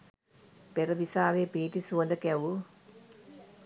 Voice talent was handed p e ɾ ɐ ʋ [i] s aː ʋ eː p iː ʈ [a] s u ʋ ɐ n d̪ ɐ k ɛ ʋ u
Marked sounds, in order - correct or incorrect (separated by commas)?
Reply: correct, incorrect